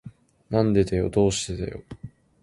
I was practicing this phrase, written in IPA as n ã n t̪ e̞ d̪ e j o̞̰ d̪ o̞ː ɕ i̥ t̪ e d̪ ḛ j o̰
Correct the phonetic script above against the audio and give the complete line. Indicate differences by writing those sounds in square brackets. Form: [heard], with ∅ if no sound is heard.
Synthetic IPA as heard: n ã n [d̪] e̞ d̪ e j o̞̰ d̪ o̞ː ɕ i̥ t̪ e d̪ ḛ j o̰